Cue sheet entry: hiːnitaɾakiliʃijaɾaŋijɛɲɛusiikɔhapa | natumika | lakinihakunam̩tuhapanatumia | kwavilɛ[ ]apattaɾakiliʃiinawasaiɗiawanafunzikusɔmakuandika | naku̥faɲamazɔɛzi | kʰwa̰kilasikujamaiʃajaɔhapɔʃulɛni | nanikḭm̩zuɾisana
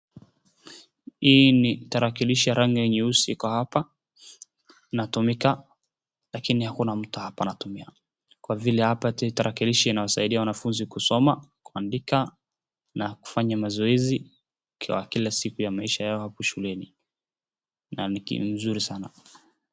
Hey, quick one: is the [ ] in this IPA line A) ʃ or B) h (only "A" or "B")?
B